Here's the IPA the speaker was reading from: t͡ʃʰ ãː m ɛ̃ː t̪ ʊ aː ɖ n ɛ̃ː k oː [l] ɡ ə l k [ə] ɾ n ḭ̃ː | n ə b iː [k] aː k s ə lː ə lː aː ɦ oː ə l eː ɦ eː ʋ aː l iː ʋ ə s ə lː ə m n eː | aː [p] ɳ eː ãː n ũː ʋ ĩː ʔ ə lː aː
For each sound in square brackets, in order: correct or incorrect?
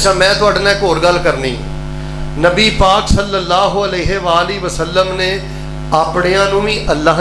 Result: incorrect: ɾ, correct, incorrect: p, correct

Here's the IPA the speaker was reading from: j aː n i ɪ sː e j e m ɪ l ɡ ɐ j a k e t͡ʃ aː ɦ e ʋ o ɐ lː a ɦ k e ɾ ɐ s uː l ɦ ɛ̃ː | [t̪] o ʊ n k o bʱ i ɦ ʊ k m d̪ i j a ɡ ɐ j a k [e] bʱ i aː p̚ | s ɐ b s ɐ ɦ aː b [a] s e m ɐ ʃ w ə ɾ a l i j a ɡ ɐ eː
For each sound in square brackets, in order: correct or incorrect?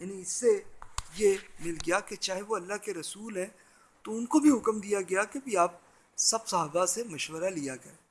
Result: correct, correct, correct

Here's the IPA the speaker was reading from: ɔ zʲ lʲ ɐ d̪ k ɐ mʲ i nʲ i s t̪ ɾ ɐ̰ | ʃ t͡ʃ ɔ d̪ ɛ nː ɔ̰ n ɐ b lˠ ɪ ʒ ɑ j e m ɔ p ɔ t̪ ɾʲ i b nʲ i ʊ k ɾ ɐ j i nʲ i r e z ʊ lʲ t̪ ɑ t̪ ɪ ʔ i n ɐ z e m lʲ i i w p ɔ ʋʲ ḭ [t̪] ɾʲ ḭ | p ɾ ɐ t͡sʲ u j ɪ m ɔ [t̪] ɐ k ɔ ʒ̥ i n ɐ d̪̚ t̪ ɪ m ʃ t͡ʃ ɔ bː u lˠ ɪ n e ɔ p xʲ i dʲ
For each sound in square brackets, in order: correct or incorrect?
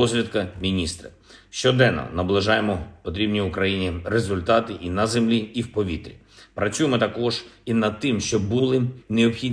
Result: correct, correct

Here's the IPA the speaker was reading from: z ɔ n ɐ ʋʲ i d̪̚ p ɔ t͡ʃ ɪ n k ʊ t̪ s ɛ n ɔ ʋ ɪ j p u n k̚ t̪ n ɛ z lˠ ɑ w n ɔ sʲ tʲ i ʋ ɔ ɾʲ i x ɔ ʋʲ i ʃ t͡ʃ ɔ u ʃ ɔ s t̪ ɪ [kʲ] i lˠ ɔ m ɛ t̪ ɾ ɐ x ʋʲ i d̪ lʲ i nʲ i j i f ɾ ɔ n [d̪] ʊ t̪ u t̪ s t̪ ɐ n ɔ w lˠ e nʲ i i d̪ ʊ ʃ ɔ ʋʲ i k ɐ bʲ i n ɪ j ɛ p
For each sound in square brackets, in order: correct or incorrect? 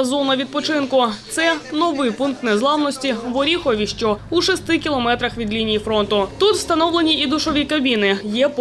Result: correct, incorrect: t̪

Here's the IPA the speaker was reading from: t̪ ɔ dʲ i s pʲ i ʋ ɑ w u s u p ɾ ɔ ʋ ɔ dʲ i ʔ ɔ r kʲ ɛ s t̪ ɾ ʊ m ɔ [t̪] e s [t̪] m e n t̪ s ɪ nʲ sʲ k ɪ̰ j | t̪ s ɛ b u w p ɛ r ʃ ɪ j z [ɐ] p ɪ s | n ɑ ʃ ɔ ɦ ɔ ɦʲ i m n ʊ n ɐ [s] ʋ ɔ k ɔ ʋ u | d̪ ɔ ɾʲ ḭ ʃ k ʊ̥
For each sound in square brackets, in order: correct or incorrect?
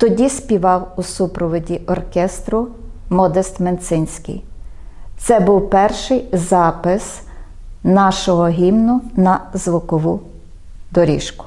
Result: incorrect: d̪, correct, incorrect: ɑ, incorrect: z

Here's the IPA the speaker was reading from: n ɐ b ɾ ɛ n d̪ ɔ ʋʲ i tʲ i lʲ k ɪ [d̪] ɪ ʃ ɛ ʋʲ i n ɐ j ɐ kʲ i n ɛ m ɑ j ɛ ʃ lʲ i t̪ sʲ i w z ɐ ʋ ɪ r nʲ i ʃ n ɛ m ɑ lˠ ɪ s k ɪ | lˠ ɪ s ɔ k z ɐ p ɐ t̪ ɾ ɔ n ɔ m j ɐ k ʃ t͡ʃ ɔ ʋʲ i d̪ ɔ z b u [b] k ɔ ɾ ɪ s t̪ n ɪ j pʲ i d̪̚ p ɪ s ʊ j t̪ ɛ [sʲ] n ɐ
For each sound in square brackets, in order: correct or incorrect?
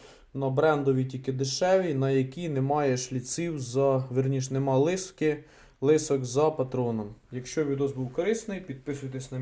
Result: correct, incorrect: w, correct

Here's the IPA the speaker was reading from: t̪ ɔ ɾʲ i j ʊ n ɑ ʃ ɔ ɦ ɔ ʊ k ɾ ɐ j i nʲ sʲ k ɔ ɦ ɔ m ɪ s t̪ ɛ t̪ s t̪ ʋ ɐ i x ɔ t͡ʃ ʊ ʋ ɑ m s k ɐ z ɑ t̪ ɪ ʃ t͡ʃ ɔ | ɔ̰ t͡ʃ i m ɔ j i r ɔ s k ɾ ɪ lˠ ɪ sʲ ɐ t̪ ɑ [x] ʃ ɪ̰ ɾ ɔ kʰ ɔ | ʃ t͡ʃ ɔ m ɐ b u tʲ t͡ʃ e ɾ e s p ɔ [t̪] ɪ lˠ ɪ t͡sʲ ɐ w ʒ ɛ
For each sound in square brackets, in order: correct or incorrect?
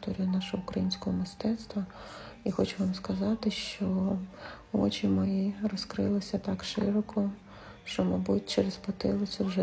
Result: incorrect: k, correct

